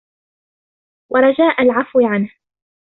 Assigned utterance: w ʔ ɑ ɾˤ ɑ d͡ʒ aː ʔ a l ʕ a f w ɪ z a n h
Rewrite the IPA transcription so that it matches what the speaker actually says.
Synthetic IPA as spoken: w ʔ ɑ ɾˤ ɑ d͡ʒ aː ʔ a l ʕ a f w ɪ ʕ a n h